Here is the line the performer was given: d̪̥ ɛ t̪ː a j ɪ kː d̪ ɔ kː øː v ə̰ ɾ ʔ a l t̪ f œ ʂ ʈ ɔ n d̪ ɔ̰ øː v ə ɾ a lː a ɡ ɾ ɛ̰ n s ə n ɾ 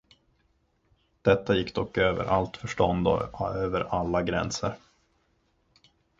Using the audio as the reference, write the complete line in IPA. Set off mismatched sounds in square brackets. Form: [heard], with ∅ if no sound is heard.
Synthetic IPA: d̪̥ ɛ t̪ː a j ɪ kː d̪ ɔ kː øː v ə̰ ɾ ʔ a l t̪ f œ ʂ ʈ ɔ n d̪ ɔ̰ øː v ə ɾ a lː a ɡ ɾ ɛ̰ n s ə [∅] ɾ